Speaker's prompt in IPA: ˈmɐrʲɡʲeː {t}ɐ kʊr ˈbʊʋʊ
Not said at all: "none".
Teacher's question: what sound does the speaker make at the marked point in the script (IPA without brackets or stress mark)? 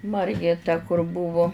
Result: t